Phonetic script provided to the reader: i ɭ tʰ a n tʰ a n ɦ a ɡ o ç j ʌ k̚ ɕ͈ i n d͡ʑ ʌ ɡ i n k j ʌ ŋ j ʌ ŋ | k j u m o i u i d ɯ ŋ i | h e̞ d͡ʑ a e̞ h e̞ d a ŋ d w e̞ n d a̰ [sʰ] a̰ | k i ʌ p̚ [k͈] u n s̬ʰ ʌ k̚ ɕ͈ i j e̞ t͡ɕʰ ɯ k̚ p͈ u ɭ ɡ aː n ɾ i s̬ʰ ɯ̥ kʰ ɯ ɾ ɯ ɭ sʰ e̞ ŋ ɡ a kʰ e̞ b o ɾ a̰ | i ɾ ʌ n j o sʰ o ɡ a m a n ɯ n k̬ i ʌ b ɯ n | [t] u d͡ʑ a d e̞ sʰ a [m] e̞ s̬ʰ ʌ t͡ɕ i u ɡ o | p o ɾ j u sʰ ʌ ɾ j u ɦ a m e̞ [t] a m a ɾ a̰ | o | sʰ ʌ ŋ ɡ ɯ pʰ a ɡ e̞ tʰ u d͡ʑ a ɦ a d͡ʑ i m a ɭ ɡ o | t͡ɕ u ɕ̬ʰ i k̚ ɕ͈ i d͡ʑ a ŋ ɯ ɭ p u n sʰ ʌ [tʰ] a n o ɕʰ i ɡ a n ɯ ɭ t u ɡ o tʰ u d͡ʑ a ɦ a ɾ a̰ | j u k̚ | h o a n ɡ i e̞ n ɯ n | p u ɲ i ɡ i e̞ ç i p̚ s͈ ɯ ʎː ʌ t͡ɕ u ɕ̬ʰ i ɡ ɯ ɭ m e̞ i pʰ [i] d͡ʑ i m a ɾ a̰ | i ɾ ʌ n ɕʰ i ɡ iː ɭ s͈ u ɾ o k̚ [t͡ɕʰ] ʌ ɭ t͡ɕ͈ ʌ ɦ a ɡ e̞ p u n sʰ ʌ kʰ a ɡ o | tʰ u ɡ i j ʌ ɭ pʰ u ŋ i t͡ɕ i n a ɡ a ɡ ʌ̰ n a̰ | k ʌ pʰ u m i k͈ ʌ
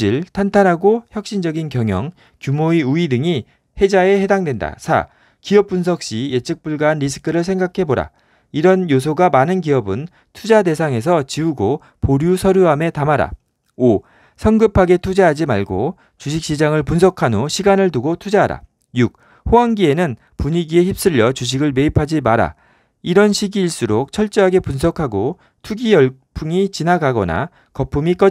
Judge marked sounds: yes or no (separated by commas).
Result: yes, no, no, no, yes, no, no, yes